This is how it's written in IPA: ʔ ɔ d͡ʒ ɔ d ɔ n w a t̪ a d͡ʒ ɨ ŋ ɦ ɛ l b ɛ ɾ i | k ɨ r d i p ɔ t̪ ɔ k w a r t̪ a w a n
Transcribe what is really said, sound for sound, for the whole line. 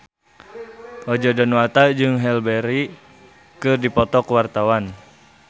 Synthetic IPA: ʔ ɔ d͡ʒ ɔ d ɔ n w a t̪ a d͡ʒ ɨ ŋ ɦ ɛ l b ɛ ɾ i | k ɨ r d i p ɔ t̪ ɔ k w a r t̪ a w a n